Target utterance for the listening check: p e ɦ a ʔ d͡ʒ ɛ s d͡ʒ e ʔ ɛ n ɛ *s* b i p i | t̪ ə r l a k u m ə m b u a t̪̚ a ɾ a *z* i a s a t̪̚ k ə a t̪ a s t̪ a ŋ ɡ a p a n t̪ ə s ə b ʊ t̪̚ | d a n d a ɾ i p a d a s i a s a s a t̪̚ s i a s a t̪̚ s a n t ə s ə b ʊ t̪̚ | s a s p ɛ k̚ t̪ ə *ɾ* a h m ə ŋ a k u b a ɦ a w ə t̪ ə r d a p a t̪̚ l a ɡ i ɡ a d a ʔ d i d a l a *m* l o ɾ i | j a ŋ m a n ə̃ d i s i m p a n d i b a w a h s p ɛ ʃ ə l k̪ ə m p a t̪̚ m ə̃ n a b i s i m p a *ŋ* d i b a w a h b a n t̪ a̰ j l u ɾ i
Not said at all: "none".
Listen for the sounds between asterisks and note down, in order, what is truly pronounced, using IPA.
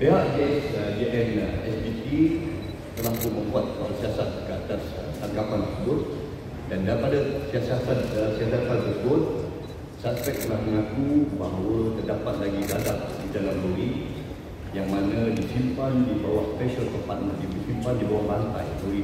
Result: s, s, l, m, n

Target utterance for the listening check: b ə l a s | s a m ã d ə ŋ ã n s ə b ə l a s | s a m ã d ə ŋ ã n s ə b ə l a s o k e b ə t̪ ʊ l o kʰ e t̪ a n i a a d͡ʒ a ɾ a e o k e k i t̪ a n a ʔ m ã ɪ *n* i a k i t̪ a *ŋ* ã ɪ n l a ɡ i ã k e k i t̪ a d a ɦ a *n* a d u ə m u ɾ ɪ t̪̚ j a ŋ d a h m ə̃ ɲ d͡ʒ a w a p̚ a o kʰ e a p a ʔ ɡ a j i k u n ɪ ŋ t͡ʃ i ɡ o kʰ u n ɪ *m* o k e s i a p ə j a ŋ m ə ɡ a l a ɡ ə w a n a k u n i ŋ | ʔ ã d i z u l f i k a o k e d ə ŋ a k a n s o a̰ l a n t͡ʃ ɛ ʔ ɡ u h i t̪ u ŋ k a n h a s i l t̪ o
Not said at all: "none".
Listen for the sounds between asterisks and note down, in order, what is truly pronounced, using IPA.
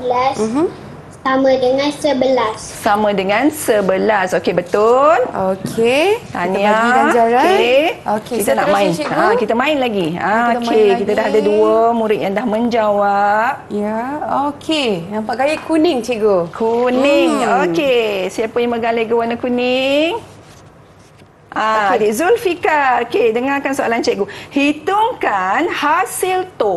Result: n, m, d, ŋ

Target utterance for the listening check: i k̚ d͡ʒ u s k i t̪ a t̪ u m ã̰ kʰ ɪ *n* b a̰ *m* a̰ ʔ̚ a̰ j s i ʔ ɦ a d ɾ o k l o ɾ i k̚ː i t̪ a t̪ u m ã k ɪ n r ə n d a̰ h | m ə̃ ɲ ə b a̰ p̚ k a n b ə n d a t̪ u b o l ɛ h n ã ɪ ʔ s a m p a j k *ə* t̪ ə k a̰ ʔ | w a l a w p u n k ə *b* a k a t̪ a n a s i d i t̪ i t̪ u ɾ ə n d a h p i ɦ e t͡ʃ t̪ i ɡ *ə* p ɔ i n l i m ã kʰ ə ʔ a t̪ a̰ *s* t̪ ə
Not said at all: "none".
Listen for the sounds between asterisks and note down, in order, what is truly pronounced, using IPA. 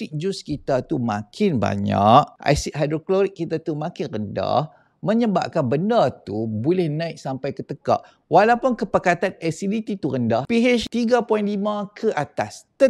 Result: n, ɲ, ə, p, a, s

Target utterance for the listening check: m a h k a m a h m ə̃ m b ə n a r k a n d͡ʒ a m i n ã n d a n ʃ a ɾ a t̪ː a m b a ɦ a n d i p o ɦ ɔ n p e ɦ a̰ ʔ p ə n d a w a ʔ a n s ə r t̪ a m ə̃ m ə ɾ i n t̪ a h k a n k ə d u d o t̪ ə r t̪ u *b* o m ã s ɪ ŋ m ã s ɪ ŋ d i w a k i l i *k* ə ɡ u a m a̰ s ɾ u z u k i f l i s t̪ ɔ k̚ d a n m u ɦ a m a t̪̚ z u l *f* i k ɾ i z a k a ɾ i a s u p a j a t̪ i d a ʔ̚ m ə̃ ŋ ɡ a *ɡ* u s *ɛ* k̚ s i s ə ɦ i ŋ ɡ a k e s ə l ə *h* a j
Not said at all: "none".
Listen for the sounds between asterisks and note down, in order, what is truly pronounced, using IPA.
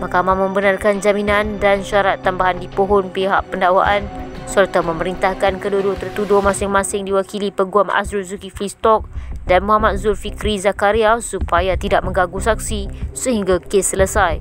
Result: d, p, f, ɡ, a, s

